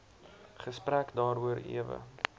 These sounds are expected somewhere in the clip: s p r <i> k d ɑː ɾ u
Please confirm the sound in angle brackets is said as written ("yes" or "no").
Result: no